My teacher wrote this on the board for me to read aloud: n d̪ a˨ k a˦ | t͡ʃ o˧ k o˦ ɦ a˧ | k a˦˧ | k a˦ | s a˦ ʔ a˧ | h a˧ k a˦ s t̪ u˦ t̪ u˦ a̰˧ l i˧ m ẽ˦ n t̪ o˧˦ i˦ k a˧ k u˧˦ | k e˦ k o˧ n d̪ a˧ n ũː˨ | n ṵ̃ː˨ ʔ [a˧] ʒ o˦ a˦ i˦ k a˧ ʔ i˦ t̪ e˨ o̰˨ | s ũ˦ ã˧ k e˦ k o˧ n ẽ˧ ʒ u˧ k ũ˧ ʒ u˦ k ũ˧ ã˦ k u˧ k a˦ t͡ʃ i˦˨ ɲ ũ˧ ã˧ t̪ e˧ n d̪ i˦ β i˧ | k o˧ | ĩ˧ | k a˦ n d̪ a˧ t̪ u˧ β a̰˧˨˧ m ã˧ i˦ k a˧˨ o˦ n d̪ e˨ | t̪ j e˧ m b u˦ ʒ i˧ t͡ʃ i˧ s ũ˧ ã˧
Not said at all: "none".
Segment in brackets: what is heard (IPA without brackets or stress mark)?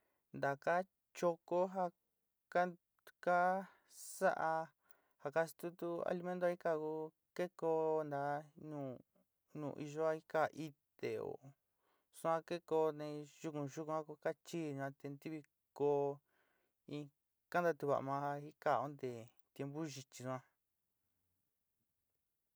i˧